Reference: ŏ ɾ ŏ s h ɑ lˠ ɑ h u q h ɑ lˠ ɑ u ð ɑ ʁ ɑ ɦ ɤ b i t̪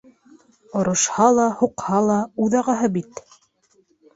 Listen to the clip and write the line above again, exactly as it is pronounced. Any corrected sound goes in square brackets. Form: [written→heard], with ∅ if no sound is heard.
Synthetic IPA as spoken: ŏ ɾ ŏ [s→ʃ] h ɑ lˠ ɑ h u q h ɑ lˠ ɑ u ð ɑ ʁ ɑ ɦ ɤ b i t̪